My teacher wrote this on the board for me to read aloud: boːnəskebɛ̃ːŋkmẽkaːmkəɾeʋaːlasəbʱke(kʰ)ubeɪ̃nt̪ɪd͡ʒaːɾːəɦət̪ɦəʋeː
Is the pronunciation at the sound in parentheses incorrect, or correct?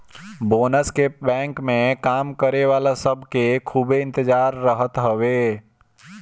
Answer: correct